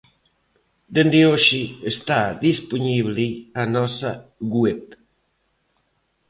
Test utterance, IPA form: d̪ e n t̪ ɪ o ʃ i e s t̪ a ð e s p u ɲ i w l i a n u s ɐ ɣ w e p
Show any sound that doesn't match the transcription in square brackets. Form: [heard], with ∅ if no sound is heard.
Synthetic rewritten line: d̪ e n [d̪] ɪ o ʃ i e s t̪ a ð [i] s p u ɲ i [β] l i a n [ɔ] s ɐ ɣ w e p